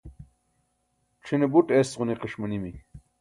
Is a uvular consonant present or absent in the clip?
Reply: present